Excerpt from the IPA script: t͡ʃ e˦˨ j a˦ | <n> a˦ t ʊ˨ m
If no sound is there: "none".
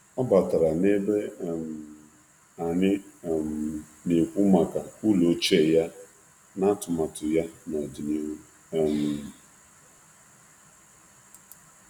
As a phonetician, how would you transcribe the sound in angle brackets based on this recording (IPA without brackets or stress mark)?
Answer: n